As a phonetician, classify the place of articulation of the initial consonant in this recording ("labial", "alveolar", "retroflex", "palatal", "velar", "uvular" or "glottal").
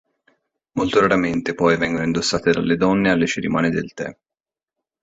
labial